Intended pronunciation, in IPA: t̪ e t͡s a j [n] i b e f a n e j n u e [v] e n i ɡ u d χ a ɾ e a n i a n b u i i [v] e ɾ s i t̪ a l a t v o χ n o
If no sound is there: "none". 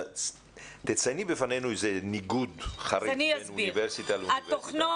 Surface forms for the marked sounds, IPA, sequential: n, z, v

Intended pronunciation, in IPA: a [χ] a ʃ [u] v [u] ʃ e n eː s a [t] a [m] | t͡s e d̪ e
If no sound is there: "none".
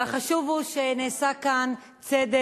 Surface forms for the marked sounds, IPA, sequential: χ, u, u, k, n

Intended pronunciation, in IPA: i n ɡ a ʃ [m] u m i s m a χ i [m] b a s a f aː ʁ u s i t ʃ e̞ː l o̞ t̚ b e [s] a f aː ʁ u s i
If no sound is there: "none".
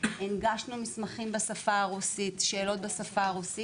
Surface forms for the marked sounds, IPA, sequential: n, m, s

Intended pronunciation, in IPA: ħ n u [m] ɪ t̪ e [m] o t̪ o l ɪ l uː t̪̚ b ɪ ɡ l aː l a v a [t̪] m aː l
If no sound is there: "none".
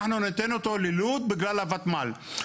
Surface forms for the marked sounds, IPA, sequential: n, n, t̪

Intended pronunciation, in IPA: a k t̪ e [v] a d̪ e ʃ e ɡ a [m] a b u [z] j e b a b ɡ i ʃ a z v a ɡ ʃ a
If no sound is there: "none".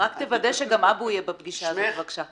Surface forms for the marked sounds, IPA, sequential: v, m, none

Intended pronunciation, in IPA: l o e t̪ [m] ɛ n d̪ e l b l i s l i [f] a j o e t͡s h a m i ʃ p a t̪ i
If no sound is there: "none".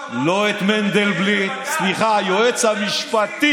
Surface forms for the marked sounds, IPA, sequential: m, χ

